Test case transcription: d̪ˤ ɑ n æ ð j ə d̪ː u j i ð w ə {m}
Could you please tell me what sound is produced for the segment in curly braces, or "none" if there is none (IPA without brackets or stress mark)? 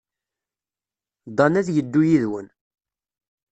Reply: n